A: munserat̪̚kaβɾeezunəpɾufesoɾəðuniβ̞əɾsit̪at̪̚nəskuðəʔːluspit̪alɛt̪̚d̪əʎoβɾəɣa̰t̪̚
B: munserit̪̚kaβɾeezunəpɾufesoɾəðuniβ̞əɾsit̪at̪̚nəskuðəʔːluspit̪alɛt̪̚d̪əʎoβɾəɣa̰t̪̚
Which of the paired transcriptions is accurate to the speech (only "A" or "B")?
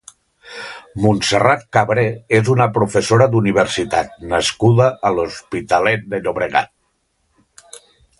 A